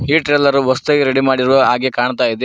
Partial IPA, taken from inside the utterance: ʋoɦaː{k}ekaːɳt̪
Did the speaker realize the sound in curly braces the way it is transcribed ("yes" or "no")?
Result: no